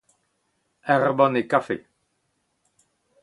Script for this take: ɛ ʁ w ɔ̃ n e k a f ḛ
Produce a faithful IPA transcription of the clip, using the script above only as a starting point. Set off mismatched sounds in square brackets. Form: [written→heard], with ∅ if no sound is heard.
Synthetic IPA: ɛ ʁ [w→b] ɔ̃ n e k a f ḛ